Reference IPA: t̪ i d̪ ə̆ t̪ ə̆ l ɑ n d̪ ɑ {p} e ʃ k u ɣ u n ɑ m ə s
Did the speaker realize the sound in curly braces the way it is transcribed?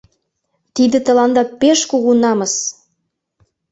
yes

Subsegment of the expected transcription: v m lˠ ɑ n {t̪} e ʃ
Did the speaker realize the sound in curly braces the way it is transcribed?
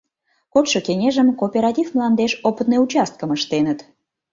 no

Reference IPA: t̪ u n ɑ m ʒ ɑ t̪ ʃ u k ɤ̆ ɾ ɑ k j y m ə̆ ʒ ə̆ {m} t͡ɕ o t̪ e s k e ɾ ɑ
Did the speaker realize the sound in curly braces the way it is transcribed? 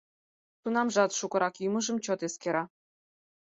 yes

